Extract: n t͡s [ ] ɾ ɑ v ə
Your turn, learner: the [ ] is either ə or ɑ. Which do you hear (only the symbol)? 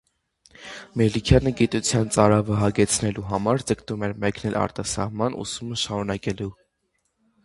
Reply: ɑ